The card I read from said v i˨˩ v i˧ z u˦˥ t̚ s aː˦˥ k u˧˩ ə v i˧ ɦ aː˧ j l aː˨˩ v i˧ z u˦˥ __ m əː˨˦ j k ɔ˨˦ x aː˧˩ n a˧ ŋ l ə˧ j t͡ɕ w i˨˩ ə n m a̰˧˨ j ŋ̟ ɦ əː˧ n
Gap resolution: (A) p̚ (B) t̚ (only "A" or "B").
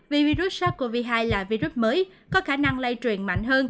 B